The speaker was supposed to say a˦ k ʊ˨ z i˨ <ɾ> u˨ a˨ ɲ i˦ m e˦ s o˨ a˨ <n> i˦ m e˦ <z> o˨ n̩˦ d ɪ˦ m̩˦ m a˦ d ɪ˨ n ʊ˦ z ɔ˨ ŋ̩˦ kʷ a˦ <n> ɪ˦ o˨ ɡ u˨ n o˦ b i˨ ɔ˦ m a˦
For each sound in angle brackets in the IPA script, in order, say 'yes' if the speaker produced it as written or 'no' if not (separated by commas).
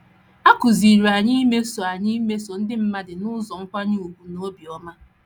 yes, no, no, no